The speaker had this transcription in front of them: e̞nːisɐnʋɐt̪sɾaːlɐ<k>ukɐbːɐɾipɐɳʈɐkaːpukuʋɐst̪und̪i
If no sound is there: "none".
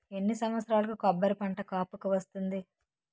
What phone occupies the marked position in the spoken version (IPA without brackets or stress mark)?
k